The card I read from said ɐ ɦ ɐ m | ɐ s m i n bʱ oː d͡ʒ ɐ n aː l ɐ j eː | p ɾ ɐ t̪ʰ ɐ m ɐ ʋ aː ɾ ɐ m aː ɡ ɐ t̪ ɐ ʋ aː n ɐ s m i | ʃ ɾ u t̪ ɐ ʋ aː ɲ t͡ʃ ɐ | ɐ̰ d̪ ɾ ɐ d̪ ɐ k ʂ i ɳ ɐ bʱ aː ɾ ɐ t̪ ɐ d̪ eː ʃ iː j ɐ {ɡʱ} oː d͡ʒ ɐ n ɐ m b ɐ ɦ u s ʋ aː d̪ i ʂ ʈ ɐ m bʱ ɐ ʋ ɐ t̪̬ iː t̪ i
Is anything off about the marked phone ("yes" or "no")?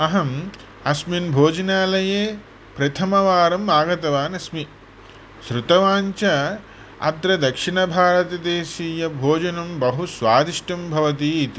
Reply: yes